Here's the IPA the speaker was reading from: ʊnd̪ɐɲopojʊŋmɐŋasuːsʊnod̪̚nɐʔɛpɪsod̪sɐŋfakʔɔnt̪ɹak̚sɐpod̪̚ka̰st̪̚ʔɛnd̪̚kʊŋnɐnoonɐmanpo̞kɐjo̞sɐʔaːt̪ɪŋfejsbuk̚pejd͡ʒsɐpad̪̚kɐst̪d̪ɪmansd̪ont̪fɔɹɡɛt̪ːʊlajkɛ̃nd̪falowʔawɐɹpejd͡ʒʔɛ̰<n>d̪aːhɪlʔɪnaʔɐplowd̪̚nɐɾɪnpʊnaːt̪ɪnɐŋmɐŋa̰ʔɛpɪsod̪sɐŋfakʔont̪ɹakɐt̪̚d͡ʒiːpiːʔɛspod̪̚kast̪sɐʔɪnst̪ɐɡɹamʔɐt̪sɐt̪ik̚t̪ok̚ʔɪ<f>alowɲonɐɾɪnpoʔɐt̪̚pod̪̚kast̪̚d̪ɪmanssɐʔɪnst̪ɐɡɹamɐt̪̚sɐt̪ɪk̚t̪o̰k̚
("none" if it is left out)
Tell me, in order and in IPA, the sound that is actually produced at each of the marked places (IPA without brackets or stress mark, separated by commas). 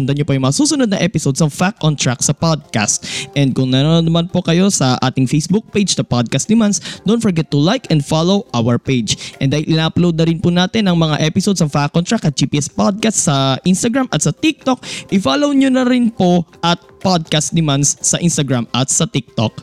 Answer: n, f